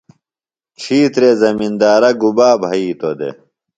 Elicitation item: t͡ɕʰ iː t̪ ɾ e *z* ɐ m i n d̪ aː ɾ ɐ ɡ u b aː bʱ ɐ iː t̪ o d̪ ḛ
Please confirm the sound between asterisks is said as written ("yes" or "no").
yes